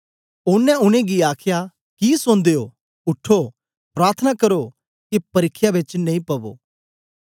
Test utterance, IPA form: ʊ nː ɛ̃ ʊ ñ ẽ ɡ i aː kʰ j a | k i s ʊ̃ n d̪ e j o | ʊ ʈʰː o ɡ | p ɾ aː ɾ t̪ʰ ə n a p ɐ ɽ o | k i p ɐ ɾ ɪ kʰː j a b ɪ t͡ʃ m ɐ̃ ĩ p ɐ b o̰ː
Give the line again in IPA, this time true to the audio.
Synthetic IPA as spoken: ʊ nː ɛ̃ ʊ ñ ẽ ɡ i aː kʰ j a | k i s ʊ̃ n d̪ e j o | ʊ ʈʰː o | p ɾ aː ɾ t̪ʰ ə n a k ɐ ɾ o | k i p ɐ ɾ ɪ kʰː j a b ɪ t͡ʃ n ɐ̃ ĩ p ɐ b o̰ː